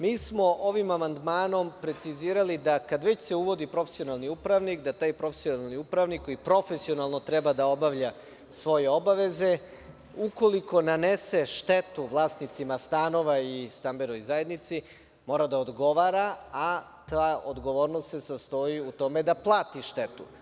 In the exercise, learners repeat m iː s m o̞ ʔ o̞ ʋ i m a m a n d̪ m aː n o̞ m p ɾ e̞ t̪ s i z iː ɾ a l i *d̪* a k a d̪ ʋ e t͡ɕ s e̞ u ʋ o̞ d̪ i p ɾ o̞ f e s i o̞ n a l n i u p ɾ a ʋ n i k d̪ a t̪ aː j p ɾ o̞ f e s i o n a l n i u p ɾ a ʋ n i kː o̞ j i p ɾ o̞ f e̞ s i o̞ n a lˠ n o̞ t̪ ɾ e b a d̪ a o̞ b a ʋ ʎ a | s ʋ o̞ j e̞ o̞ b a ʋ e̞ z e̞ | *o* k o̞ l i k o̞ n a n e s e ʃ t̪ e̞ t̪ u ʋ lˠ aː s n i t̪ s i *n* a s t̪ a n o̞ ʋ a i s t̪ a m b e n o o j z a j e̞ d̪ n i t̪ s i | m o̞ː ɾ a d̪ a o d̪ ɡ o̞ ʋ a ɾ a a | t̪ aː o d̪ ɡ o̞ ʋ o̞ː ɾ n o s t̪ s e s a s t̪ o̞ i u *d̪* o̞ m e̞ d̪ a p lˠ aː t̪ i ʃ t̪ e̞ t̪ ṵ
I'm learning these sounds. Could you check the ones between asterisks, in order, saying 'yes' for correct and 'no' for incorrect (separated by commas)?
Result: yes, no, no, no